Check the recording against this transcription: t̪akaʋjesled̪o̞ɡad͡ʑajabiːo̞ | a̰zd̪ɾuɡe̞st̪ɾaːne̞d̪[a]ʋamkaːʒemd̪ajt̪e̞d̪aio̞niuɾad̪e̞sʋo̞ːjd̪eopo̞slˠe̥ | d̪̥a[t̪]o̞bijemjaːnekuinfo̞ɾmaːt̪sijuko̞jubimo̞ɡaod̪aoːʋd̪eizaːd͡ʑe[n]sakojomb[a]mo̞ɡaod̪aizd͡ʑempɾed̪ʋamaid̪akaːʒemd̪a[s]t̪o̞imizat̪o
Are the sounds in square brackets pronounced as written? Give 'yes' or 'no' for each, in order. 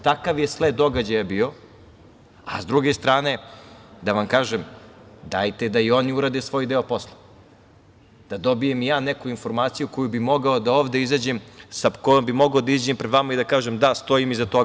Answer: yes, no, no, no, yes

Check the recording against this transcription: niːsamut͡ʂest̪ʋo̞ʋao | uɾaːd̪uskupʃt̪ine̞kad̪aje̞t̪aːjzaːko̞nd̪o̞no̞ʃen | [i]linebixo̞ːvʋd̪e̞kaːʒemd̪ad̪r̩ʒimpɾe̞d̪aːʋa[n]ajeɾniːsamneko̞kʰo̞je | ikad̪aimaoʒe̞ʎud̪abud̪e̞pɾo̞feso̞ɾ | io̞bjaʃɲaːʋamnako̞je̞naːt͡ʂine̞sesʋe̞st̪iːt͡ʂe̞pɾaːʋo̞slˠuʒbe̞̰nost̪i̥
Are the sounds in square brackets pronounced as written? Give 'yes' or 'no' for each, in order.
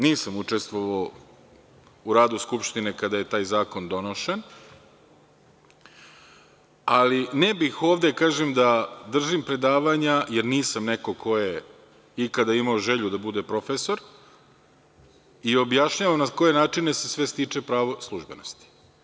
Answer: no, no

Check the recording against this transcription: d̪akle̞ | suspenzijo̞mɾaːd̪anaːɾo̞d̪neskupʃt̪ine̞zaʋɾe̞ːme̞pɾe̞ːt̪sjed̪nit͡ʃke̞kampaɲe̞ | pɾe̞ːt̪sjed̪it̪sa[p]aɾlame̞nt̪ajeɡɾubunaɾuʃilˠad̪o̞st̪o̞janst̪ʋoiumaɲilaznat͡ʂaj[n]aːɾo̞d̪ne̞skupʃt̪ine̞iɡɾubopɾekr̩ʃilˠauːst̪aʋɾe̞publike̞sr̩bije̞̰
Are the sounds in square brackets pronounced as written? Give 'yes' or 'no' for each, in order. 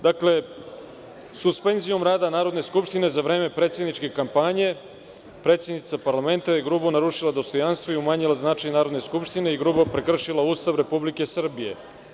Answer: yes, yes

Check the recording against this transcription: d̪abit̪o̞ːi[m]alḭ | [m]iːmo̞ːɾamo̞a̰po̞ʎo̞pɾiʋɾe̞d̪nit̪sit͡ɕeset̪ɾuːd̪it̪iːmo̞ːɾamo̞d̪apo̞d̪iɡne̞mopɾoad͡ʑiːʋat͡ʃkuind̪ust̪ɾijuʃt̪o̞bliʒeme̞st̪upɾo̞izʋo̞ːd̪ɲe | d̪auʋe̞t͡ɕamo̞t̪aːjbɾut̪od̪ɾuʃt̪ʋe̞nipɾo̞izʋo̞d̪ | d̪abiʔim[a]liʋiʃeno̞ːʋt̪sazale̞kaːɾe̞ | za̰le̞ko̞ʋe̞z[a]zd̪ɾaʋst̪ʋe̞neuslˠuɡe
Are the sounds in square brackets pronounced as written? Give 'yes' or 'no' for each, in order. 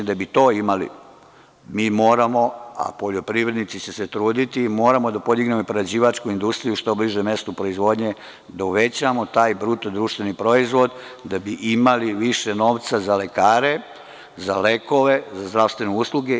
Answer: yes, yes, yes, yes

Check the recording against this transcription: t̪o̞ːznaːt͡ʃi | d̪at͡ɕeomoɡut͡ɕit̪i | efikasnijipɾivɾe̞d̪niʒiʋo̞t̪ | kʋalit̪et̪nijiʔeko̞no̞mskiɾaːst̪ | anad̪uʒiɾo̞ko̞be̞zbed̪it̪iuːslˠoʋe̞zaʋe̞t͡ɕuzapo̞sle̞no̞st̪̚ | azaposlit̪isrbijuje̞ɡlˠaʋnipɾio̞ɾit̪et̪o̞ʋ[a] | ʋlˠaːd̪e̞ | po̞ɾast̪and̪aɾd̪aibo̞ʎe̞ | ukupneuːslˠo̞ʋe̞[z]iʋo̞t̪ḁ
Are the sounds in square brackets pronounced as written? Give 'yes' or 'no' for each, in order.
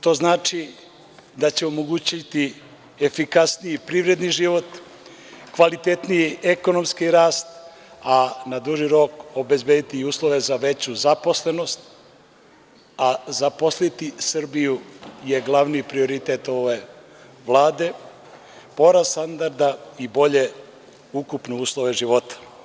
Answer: no, no

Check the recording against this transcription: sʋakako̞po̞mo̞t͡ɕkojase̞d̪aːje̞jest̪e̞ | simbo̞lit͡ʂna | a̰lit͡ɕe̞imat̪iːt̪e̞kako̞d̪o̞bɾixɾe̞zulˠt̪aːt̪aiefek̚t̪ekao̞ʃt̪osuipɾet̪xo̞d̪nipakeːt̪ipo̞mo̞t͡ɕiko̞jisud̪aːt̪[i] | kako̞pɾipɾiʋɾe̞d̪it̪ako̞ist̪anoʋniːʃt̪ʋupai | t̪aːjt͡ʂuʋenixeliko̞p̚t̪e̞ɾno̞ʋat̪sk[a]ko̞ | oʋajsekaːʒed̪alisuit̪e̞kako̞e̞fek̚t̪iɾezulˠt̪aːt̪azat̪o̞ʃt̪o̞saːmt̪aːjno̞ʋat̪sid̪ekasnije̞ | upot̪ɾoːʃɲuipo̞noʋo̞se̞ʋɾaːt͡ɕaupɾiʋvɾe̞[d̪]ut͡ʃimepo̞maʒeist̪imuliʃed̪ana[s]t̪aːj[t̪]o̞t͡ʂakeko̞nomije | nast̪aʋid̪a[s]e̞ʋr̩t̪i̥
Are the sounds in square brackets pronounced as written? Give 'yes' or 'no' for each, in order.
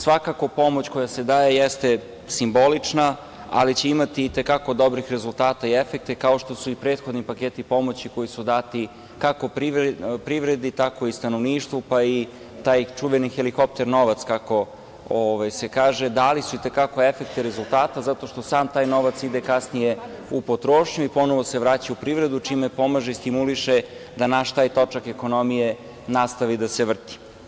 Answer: yes, yes, yes, no, yes, yes

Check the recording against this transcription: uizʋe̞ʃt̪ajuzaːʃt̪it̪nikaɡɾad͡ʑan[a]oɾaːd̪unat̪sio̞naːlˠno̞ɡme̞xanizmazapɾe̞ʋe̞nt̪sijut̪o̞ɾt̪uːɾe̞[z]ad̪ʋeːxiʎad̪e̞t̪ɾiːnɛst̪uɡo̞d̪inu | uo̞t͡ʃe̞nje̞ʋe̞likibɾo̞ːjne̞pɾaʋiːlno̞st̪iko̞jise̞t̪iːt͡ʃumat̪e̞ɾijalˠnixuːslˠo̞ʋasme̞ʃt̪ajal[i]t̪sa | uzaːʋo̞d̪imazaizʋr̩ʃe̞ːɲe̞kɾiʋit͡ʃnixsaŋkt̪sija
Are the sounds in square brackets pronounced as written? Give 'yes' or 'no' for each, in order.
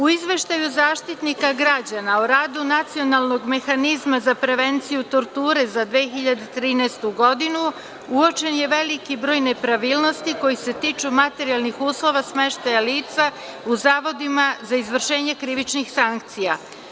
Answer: yes, yes, no

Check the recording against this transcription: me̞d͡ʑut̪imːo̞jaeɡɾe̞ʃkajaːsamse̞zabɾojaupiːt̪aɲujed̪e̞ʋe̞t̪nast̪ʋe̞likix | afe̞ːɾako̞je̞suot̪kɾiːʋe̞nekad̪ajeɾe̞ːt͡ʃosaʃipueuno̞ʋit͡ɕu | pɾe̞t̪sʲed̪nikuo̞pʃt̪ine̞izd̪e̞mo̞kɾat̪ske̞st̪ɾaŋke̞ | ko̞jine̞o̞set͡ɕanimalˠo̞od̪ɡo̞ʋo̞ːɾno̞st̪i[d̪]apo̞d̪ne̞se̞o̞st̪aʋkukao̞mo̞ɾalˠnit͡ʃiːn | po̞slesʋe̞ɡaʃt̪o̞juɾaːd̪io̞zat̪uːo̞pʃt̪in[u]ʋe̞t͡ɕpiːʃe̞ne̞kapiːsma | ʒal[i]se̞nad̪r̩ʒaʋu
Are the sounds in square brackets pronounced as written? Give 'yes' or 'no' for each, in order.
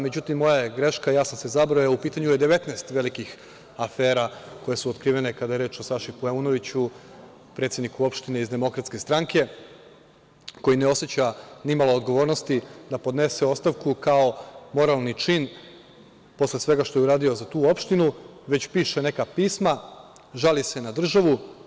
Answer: yes, yes, yes

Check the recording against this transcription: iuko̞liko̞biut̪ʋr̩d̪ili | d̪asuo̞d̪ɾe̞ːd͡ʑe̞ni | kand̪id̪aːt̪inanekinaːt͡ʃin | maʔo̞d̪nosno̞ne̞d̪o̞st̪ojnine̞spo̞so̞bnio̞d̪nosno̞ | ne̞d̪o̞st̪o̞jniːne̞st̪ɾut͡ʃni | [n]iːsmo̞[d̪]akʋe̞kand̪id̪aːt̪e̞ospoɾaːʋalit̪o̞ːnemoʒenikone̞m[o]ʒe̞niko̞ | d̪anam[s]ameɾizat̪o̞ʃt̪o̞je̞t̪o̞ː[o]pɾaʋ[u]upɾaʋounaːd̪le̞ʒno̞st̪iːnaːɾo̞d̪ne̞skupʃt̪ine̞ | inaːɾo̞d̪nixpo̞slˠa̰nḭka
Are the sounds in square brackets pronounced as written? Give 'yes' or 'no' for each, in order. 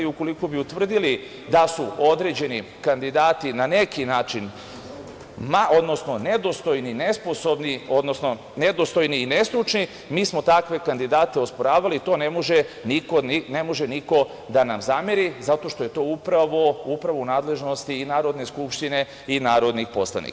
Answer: no, no, yes, no, no, no

